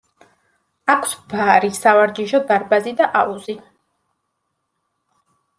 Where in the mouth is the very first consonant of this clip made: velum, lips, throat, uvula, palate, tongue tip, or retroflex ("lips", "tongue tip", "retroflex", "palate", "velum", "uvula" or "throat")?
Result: velum